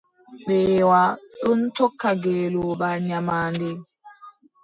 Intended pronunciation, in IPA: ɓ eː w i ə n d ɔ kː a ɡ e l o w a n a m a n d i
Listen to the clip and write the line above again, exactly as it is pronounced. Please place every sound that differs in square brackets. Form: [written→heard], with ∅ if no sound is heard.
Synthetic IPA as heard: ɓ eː w [i→a] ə n [d→t] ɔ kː a ɡ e l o [w→b] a [n→ɲ] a m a n d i